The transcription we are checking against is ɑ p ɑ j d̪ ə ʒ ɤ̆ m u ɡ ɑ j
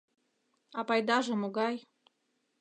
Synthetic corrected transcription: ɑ p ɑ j d̪ ɑ ʒ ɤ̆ m o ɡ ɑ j